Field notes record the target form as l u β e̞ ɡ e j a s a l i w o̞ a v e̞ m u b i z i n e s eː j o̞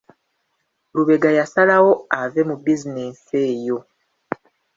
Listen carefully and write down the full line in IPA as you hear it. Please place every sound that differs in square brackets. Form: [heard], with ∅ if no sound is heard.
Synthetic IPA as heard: l u β e̞ ɡ [a] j a s a l [a] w o̞ a v e̞ m u b i z i n e s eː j o̞